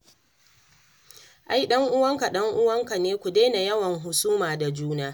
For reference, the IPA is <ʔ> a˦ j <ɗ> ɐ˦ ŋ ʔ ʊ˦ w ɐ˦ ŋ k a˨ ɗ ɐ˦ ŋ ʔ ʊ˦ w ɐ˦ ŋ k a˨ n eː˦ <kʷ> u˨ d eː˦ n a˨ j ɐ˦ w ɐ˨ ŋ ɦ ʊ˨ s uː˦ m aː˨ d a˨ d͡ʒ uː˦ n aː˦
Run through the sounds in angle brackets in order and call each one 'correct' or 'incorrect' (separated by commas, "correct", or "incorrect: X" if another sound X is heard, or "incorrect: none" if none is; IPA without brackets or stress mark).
correct, correct, correct